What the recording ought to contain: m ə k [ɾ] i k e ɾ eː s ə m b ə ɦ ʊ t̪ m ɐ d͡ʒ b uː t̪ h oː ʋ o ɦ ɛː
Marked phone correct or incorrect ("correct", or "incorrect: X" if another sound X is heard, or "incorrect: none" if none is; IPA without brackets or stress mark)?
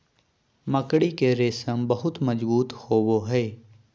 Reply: incorrect: ɽ